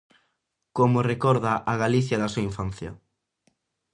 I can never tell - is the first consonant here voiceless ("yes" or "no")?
yes